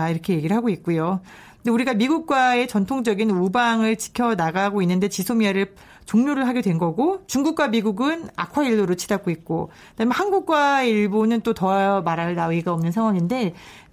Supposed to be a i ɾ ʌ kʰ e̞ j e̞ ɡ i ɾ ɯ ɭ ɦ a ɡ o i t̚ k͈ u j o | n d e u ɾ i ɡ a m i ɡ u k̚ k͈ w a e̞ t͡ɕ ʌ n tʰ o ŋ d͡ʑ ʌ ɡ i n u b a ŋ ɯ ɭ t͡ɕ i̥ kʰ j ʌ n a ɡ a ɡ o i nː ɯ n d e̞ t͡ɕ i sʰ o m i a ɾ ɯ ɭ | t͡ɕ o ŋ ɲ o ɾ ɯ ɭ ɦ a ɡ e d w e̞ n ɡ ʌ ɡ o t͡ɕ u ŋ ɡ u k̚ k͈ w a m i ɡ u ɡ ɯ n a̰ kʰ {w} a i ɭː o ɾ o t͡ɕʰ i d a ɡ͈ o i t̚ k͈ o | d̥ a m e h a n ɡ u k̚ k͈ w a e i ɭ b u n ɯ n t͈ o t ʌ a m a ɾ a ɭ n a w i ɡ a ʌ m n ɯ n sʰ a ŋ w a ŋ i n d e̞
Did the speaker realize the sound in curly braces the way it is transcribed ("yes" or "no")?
yes